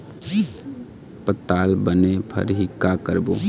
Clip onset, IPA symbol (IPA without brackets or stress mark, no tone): p